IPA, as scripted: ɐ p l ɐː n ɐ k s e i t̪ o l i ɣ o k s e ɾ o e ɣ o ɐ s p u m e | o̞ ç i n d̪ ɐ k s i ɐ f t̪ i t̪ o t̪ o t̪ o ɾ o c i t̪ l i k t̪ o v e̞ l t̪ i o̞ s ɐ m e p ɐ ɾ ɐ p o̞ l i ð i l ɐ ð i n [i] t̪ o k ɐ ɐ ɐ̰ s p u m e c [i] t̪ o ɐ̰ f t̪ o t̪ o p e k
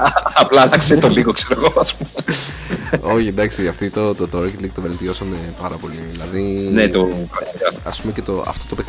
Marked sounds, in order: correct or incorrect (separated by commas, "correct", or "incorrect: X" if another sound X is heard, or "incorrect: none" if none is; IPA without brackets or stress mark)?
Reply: incorrect: e, incorrect: e